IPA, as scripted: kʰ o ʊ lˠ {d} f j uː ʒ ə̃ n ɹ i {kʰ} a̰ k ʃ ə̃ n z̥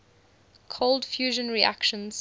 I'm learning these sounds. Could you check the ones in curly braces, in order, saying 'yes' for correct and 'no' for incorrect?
yes, no

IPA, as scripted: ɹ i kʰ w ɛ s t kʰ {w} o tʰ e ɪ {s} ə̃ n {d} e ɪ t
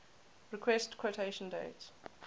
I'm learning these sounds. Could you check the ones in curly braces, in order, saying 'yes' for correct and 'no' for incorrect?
yes, no, yes

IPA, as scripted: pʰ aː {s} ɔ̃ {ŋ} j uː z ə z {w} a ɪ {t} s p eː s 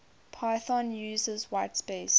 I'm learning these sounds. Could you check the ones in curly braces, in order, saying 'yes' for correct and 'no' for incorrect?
no, no, yes, yes

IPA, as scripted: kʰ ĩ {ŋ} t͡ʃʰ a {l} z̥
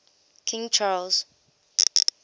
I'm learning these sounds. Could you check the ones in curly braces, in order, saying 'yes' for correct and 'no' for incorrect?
yes, yes

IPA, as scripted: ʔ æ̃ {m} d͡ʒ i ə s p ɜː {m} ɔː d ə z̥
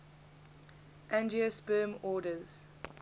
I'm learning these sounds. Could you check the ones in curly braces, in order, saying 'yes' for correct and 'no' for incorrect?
no, yes

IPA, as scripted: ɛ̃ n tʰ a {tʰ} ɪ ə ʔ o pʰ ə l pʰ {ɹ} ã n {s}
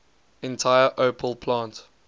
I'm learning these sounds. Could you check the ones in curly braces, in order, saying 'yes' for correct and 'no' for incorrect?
no, no, no

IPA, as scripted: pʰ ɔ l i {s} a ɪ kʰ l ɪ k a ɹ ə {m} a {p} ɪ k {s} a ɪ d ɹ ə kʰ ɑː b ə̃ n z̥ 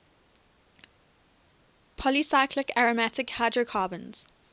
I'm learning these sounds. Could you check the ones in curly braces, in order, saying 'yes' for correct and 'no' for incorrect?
yes, yes, no, no

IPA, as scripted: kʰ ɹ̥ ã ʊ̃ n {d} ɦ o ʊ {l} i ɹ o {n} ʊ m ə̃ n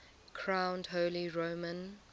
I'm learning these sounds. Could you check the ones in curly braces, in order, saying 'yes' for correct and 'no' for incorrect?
yes, yes, no

